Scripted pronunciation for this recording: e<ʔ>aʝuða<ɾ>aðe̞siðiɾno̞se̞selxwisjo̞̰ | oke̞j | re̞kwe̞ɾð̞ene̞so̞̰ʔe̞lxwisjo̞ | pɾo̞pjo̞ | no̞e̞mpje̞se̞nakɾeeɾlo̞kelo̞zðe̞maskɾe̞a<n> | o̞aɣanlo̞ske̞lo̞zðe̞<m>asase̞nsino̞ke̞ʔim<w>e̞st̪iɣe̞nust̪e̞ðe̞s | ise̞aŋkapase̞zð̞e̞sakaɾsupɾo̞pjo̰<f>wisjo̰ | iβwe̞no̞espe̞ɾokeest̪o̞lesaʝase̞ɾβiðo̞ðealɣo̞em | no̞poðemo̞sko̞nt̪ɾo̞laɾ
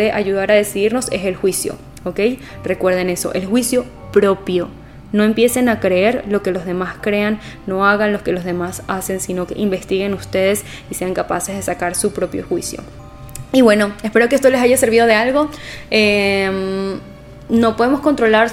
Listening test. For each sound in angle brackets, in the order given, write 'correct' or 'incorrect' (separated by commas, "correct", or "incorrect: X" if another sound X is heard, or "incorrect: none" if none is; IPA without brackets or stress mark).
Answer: correct, correct, incorrect: nː, correct, incorrect: b, incorrect: x